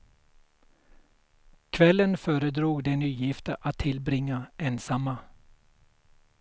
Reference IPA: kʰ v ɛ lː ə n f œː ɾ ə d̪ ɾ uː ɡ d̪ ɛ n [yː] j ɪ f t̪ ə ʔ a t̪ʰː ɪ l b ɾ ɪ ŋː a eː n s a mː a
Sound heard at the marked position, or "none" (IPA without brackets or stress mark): yː